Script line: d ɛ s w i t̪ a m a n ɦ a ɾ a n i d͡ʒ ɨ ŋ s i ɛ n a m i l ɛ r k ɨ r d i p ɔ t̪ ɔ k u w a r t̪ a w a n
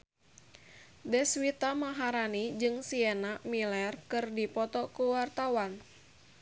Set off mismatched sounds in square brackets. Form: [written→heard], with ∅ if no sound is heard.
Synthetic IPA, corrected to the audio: d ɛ s w i t̪ a m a [n→∅] ɦ a ɾ a n i d͡ʒ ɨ ŋ s i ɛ n a m i l ɛ r k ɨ r d i p ɔ t̪ ɔ k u w a r t̪ a w a n